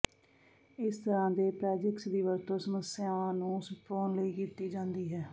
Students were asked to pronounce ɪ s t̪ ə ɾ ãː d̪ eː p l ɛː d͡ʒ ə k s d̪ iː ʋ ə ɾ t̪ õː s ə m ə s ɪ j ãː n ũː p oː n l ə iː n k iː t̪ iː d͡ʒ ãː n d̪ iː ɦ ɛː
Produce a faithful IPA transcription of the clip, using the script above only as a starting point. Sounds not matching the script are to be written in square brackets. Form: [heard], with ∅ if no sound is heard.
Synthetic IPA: ɪ s t̪ ə ɾ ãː d̪ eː p [ɾ] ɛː d͡ʒ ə k s d̪ iː ʋ ə ɾ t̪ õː s ə m ə s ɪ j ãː n ũː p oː n l ə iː [∅] k iː t̪ iː d͡ʒ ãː n d̪ iː ɦ ɛː